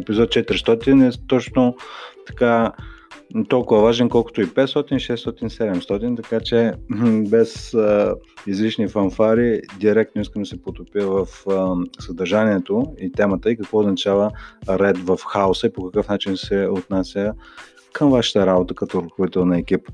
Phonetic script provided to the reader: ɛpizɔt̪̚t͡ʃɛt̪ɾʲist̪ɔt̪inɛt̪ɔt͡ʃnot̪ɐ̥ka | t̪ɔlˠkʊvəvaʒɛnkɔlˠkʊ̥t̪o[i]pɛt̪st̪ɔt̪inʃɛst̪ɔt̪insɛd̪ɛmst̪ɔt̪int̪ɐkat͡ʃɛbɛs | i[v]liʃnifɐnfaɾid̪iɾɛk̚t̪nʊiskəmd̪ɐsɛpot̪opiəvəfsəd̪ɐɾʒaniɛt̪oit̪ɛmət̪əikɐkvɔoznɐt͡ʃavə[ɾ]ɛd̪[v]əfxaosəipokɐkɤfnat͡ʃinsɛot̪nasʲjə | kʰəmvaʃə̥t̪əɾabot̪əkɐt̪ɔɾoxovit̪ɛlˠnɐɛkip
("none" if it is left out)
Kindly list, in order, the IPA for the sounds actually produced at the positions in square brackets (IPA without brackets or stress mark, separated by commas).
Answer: i, z, ɾ, v